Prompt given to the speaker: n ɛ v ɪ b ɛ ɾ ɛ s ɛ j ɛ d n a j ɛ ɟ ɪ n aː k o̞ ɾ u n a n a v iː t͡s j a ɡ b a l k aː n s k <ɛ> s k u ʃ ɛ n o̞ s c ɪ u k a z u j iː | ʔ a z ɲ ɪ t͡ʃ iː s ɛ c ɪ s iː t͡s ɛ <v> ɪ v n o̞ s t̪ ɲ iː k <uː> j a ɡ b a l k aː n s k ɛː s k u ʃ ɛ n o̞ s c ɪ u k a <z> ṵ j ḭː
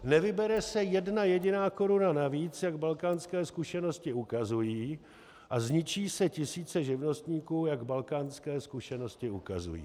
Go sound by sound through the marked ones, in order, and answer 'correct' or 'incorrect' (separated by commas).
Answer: incorrect, incorrect, correct, correct